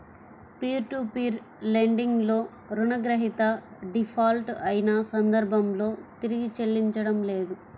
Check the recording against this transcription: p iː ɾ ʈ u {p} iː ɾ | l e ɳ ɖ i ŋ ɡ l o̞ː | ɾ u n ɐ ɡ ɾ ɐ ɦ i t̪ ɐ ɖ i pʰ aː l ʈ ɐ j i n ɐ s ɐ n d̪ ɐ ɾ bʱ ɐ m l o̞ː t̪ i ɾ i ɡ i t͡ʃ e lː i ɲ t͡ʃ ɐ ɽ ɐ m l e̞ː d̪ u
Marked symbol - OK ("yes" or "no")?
yes